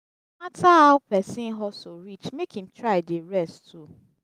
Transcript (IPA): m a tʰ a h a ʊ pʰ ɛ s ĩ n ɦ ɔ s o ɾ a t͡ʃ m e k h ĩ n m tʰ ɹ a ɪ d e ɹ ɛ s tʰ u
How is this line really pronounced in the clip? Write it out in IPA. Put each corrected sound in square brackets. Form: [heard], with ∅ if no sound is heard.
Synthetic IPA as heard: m a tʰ a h a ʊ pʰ ɛ s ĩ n ɦ ɔ s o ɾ [i] t͡ʃ m e k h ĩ [∅] m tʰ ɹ a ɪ d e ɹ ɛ s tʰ u